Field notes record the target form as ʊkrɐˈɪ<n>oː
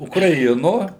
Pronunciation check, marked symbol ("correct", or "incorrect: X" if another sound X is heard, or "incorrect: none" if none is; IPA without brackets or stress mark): correct